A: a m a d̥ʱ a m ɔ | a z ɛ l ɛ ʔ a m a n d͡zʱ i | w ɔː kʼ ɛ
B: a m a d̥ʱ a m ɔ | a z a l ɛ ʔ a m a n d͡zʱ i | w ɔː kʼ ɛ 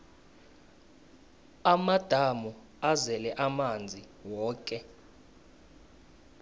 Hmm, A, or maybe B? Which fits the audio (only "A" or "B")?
A